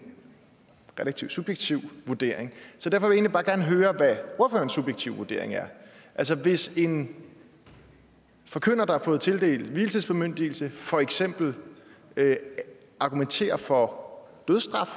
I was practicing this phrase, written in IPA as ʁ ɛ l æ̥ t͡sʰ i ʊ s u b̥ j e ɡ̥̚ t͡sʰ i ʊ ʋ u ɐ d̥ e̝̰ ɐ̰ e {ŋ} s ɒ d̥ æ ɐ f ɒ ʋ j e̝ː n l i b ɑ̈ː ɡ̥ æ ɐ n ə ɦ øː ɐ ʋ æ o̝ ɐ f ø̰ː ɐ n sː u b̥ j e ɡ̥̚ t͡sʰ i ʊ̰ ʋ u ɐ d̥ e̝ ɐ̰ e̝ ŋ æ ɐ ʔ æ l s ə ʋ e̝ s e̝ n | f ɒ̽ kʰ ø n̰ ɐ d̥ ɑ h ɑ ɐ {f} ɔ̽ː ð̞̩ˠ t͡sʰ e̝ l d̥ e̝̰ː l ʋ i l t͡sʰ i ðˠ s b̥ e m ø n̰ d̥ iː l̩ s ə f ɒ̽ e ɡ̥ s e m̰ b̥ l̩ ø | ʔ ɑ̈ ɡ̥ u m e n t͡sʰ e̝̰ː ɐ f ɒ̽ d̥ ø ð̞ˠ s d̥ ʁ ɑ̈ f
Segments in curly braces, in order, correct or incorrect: correct, correct

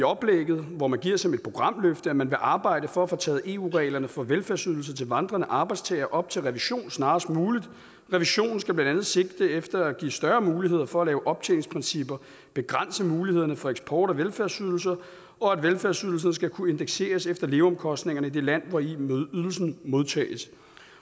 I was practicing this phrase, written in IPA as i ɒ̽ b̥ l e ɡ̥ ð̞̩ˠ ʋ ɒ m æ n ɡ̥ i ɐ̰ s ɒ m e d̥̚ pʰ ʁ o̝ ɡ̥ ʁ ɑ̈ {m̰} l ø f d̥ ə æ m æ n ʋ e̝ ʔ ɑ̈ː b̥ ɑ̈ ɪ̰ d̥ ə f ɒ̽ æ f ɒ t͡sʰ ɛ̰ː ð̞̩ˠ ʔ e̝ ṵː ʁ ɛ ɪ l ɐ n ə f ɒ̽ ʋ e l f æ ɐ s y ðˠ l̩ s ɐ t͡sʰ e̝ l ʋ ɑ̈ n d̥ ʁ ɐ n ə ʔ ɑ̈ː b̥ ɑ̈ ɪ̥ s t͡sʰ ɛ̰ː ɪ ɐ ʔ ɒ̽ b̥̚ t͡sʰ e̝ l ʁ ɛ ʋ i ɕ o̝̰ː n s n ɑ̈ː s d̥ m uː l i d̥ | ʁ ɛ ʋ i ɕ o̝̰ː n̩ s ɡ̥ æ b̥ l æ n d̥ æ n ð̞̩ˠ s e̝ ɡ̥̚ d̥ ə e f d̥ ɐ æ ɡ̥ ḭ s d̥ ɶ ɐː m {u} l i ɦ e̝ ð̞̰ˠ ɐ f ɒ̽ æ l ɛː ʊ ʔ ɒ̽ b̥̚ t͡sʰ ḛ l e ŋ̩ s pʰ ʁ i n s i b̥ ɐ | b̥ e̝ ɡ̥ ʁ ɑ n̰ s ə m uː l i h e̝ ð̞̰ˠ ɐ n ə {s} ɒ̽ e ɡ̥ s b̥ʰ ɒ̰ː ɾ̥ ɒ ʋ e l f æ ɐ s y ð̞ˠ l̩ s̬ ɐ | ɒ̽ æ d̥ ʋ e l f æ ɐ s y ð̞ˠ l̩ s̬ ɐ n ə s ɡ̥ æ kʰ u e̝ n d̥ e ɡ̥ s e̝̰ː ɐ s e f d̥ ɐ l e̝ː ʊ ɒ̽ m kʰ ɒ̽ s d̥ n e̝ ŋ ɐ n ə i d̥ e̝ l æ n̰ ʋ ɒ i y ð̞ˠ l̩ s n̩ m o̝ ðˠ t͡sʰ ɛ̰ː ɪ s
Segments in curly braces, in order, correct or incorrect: correct, incorrect: uː, incorrect: f

